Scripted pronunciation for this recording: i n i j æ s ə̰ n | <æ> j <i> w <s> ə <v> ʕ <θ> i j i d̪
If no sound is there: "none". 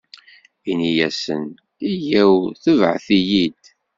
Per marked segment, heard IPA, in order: i, æ, θ, v, θ

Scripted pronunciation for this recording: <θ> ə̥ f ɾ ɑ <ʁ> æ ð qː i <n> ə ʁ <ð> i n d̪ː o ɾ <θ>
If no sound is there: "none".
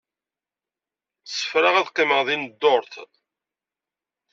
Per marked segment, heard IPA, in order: s, ʁ, m, ð, θ

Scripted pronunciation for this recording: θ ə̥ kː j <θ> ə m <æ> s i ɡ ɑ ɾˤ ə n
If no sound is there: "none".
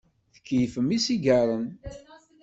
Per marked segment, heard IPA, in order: f, i

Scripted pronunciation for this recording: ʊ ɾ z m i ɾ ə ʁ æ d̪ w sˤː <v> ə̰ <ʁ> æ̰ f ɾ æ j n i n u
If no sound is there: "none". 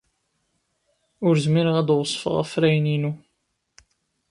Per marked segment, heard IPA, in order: f, ʁ

